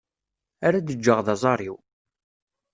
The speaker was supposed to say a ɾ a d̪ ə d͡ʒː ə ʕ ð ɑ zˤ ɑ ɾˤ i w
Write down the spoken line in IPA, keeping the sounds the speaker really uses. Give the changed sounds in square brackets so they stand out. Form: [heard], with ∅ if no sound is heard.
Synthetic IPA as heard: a ɾ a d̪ ə d͡ʒː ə [ʁ] ð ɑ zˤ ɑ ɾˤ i w